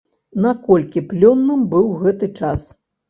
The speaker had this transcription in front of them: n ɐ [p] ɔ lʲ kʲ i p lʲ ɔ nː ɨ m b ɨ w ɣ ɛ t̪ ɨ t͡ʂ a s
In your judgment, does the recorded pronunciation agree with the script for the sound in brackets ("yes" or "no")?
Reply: no